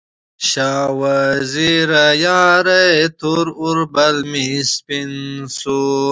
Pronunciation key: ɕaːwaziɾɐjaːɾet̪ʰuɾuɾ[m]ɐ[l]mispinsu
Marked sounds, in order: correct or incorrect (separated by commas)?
incorrect, correct